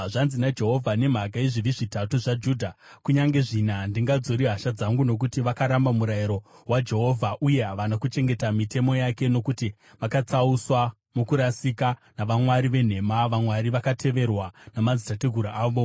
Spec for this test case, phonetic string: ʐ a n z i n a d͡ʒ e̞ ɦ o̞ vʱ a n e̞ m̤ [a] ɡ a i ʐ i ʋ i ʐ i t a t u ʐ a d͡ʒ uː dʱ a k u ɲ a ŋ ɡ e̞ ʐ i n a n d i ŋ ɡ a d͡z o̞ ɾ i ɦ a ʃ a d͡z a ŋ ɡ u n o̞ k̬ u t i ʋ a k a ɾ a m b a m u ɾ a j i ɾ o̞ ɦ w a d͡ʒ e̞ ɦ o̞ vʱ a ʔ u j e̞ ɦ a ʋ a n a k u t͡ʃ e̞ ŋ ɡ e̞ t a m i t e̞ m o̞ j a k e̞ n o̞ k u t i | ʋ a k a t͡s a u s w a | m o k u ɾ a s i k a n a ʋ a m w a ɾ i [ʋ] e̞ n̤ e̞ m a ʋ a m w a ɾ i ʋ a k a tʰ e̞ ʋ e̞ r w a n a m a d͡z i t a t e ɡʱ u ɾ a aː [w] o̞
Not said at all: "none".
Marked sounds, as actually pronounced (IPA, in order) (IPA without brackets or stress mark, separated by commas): a, ʋ, ʋ